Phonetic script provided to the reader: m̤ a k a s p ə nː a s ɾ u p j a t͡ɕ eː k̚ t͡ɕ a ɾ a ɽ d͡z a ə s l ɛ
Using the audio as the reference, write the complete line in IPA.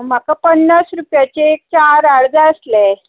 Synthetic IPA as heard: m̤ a k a p ə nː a s ɾ u p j a t͡ɕ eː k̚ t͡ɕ a ɾ a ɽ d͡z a ə s l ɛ